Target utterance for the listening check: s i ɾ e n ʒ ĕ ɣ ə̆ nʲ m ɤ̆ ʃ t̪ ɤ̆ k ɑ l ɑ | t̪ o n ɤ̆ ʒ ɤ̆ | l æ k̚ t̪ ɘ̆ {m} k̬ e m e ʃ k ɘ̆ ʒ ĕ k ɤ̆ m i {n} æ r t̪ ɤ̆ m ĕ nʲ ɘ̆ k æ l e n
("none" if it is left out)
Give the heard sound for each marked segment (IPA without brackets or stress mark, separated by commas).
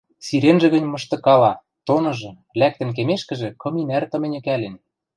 n, n